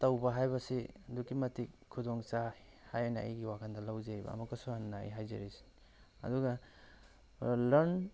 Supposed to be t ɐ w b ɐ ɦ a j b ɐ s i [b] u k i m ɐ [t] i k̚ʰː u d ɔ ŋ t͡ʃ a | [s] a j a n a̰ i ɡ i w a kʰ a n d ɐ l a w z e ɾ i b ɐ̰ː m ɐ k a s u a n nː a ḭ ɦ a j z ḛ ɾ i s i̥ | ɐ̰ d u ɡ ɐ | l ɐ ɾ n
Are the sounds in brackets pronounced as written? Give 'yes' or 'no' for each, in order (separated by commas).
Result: no, yes, no